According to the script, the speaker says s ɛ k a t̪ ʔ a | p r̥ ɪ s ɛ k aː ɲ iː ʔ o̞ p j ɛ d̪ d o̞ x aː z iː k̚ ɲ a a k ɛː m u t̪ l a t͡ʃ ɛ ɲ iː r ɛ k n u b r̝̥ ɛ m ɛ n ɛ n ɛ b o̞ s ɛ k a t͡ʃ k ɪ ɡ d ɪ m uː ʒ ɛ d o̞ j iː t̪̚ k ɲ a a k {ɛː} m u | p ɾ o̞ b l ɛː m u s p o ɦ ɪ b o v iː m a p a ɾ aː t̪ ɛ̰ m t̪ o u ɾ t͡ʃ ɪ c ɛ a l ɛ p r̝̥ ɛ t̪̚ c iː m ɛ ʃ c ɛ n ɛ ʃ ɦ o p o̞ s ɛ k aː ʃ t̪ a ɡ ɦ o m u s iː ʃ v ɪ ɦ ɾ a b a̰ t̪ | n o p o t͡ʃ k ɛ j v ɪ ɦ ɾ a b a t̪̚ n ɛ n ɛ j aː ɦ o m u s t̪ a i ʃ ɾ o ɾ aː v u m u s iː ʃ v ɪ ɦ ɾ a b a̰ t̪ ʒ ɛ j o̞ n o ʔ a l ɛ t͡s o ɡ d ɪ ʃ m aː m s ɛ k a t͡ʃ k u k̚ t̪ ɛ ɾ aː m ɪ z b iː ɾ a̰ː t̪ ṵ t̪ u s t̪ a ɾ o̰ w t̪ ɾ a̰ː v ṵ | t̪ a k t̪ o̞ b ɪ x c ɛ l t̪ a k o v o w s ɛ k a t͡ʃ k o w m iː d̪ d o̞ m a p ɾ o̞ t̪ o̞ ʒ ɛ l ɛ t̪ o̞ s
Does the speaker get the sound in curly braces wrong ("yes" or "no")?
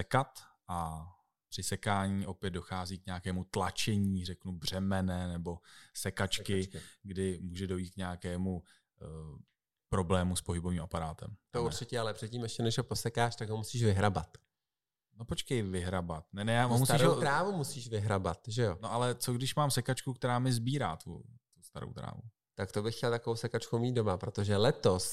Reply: no